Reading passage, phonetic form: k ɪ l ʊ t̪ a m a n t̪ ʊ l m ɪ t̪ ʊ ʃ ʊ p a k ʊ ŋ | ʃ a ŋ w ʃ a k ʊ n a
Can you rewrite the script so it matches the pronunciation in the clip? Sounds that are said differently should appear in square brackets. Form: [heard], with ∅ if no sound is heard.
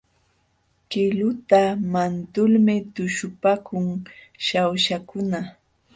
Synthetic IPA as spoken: k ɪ l ʊ t̪ a m a n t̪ ʊ l m ɪ t̪ ʊ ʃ ʊ p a k ʊ ŋ | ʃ a [∅] w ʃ a k ʊ n a